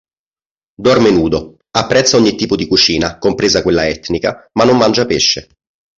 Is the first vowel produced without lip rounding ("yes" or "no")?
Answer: no